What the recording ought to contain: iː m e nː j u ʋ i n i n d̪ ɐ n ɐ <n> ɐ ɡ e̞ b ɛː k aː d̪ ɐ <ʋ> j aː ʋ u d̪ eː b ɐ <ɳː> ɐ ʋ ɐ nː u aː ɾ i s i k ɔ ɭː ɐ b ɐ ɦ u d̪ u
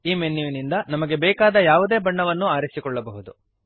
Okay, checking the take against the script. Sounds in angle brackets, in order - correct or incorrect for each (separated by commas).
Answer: incorrect, incorrect, correct